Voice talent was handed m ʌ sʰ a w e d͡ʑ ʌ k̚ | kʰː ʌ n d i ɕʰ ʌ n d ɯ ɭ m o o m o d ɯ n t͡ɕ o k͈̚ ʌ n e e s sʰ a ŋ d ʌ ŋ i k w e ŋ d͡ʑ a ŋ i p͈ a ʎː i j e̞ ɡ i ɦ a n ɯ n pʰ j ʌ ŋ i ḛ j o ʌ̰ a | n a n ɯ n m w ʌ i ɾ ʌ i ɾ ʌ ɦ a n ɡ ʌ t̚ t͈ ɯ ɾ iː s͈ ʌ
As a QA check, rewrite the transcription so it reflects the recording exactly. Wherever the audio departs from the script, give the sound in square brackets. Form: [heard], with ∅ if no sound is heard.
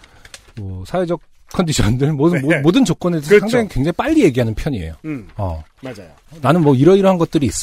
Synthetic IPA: m ʌ sʰ a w e d͡ʑ ʌ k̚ | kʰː ʌ n d i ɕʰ ʌ n d ɯ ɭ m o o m o d ɯ n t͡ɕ o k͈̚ ʌ n e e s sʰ a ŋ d [a] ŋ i k w e ŋ d͡ʑ a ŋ i p͈ a ʎː i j e̞ ɡ i ɦ a n ɯ n pʰ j ʌ [ɲ] i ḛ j o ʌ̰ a | n a n ɯ n m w ʌ i ɾ ʌ i ɾ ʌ ɦ a n ɡ ʌ t̚ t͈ ɯ ɾ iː s͈ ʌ